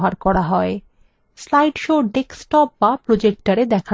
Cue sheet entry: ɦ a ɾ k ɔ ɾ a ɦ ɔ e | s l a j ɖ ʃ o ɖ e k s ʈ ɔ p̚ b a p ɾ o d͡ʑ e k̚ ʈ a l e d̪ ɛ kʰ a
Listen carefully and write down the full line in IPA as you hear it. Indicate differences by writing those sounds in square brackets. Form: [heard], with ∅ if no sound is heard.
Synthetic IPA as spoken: ɦ a ɾ k ɔ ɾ a ɦ ɔ e | s l a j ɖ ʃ o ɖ e k s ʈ ɔ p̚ b a p ɾ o d͡ʑ e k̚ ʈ a [ɾ] e d̪ ɛ kʰ a